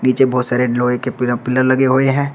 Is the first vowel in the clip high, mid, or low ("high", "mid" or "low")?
high